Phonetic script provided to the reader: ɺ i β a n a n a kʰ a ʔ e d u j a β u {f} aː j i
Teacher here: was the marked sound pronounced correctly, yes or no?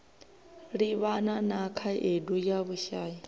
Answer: no